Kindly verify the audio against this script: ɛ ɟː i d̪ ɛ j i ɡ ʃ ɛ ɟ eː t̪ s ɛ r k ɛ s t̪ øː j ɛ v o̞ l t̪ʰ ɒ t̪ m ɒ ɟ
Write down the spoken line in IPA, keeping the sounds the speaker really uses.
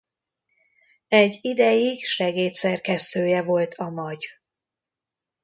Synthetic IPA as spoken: ɛ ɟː i d̪ ɛ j i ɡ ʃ ɛ ɡ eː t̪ s ɛ r k ɛ s t̪ øː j ɛ v o̞ l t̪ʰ ɒ m ɒ ɟ